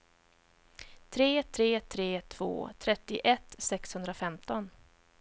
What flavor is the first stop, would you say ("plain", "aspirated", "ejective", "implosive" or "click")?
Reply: aspirated